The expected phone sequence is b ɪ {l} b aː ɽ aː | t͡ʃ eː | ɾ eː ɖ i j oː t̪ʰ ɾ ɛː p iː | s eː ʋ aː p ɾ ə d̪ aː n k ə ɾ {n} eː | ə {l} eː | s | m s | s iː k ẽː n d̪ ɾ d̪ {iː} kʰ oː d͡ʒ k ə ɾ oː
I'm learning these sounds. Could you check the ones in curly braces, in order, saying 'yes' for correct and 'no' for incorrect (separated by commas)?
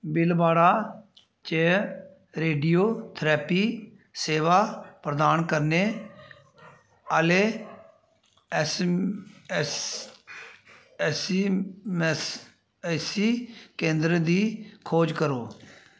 yes, yes, yes, yes